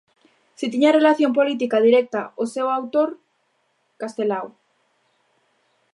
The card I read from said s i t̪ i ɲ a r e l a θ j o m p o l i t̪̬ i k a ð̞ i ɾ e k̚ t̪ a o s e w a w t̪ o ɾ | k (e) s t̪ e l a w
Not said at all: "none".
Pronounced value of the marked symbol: a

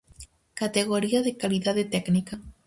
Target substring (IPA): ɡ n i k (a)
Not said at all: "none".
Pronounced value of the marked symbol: a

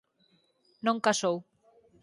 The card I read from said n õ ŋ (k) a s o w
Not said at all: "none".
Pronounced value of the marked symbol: k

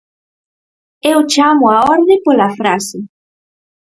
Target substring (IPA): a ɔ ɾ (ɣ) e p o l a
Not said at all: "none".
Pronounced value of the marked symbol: ð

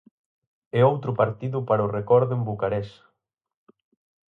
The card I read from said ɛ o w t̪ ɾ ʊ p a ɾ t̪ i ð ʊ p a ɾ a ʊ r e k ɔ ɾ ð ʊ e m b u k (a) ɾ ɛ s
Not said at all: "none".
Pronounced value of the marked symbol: a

